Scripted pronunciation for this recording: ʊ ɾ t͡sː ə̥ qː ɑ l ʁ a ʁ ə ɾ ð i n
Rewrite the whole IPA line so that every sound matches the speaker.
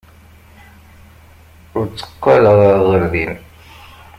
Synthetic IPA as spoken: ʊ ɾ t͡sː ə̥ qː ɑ l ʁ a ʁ ə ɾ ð i n